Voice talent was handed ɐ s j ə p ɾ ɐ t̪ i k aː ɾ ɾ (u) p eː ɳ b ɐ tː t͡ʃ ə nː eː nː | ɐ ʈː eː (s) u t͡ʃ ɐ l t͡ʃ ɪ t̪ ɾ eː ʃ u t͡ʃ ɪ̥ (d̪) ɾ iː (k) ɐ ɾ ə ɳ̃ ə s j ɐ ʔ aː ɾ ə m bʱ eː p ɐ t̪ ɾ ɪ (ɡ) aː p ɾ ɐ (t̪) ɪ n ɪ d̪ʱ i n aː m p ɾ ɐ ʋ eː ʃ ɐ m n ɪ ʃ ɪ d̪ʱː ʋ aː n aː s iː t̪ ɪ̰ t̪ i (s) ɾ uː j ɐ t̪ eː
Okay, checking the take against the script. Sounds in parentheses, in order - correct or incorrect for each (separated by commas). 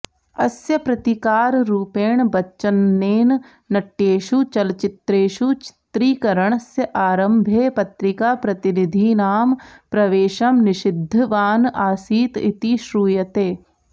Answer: incorrect, incorrect, incorrect, correct, incorrect, correct, incorrect